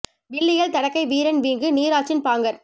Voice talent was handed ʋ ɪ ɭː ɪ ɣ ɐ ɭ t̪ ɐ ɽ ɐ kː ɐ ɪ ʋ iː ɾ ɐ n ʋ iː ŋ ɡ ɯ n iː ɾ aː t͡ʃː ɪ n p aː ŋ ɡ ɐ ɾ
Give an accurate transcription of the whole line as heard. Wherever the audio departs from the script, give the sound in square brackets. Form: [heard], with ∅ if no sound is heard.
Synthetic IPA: ʋ ɪ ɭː ɪ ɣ ɐ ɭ t̪ ɐ ɽ ɐ kː ɐ ɪ ʋ iː ɾ ɐ n ʋ iː ŋ ɡ ɯ n iː ɾ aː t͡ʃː ɪ n p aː ŋ ɡ ɐ ɾ